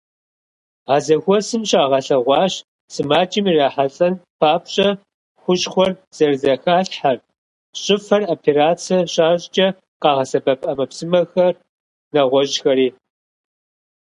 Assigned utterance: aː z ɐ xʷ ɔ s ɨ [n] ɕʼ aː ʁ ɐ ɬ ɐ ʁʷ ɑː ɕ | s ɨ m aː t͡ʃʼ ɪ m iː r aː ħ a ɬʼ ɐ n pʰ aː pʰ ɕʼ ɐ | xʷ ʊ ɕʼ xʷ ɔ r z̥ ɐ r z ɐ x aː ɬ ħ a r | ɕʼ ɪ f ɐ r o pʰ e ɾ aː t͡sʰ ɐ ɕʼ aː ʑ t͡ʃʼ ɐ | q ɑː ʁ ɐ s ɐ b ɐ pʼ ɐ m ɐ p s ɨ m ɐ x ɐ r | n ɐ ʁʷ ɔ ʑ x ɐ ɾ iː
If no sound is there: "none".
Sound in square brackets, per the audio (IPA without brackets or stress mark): m